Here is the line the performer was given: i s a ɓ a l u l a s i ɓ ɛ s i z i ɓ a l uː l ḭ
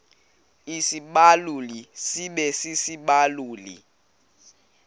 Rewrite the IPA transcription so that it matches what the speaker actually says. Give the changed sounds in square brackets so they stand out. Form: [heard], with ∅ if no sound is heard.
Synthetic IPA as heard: i s [i] ɓ a l u l [i] s i ɓ ɛ s i [s] i ɓ a l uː l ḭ